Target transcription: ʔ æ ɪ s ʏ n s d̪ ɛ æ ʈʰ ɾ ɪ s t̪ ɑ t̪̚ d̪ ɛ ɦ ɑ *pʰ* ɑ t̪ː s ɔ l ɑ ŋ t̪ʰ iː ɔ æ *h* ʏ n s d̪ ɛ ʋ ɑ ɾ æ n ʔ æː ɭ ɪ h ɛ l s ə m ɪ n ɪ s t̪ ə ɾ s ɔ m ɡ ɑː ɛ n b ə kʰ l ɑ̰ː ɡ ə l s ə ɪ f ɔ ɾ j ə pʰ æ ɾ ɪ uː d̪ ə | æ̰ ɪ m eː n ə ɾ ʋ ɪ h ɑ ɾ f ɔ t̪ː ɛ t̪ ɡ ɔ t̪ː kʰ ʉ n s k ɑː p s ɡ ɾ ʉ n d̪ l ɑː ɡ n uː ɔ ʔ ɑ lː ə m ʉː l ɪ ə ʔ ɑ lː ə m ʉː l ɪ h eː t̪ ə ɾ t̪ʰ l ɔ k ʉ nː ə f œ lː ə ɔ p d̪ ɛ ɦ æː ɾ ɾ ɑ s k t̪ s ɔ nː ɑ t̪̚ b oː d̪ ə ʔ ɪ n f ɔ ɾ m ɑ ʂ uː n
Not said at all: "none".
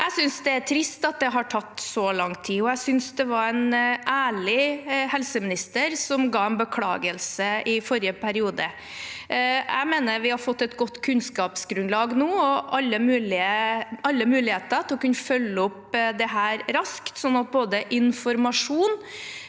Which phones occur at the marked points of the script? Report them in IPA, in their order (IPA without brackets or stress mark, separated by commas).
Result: ʈʰ, s